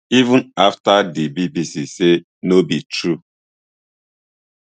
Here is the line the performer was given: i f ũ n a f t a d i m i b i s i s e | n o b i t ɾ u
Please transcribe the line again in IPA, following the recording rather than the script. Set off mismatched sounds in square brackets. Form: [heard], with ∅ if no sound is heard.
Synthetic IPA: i [v] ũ n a f t a d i [b] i b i s i s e | n o b i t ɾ u